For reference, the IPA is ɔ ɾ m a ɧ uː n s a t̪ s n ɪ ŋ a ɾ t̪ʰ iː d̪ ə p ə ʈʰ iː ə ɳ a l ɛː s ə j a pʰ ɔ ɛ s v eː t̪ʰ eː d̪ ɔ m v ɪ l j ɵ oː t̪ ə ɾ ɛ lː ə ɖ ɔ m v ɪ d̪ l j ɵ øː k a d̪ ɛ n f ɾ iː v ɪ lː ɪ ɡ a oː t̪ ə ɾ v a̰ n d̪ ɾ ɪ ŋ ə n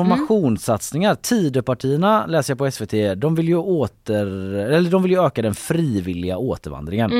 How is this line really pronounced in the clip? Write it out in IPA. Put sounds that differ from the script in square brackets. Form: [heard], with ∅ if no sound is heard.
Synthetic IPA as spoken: ɔ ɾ m a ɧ uː n s a t̪ s n ɪ ŋ a ɾ t̪ʰ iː d̪ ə p [a] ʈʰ iː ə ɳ a l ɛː s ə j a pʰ ɔ ɛ s v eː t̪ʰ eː d̪ ɔ m v ɪ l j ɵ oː t̪ ə ɾ ɛ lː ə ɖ ɔ m v ɪ [∅] l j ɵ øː k a d̪ ɛ n f ɾ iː v ɪ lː ɪ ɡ a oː t̪ ə ɾ v a̰ n d̪ ɾ ɪ ŋ ə n